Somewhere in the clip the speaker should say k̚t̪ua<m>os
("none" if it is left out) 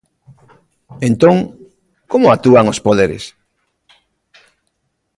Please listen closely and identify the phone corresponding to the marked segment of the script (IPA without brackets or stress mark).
ŋ